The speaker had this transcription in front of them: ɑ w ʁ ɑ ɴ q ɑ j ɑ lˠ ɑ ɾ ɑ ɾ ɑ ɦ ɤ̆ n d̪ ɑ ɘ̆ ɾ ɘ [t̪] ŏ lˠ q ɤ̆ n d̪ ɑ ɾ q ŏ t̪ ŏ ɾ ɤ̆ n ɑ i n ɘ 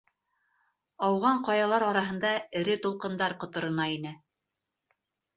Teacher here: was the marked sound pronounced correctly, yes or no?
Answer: yes